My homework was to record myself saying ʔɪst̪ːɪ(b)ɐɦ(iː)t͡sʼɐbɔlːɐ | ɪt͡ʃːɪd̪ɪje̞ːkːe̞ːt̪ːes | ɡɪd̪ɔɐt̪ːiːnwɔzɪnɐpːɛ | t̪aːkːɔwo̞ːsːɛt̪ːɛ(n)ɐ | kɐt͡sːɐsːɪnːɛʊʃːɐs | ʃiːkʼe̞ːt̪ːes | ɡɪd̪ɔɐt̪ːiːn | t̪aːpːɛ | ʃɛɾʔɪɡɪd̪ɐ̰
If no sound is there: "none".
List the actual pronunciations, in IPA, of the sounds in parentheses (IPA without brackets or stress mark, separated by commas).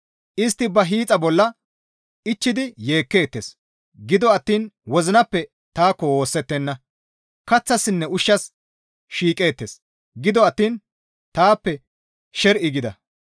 b, iː, nː